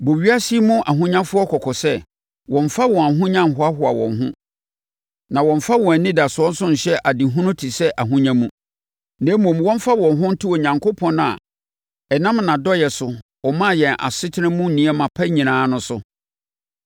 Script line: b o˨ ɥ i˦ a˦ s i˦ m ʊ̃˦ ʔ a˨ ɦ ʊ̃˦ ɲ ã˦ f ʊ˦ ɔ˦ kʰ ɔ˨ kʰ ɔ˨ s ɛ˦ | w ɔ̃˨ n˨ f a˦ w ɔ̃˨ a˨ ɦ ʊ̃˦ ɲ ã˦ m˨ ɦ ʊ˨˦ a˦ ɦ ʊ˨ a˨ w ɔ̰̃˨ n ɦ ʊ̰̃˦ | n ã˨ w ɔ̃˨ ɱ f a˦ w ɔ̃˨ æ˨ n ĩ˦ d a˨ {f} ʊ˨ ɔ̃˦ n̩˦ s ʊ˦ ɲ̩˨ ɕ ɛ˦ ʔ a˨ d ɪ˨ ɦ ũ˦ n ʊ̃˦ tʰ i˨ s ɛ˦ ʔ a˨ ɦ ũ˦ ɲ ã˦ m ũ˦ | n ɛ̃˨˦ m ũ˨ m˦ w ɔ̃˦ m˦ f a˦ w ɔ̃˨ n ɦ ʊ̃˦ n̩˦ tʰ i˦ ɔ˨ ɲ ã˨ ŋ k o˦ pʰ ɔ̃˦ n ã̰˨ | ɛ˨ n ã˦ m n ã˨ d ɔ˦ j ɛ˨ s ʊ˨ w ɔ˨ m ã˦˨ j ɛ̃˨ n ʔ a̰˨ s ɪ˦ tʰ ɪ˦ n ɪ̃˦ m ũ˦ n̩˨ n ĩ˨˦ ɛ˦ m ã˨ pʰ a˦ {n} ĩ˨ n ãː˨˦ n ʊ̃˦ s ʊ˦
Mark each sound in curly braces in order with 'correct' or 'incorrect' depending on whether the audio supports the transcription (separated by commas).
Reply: incorrect, incorrect